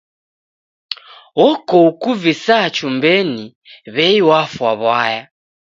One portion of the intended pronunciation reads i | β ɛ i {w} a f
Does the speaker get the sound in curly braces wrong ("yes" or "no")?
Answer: no